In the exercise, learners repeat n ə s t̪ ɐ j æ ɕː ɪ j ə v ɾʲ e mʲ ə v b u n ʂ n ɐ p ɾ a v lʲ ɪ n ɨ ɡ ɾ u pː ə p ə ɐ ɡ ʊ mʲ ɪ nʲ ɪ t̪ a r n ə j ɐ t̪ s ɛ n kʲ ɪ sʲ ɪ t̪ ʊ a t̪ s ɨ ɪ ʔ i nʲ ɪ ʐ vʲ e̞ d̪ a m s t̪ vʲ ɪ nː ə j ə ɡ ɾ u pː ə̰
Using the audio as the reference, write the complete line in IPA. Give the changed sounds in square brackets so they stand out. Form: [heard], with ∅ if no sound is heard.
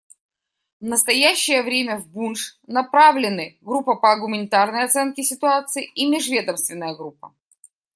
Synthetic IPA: n ə s t̪ ɐ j æ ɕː ɪ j ə v ɾʲ e mʲ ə v b u n ʂ n ɐ p ɾ a v lʲ ɪ n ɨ ɡ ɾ u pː ə p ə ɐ ɡ ʊ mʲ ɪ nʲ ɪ t̪ a r n ə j ɐ t̪ s ɛ n kʲ ɪ sʲ ɪ t̪ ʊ a t̪ s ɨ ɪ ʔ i [mʲ] ɪ ʐ vʲ e̞ d̪ [ə] m s t̪ vʲ ɪ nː ə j ə ɡ ɾ u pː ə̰